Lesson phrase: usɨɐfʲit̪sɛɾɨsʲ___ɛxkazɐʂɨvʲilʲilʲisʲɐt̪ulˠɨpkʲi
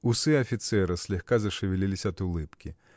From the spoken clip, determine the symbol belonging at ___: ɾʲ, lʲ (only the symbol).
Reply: lʲ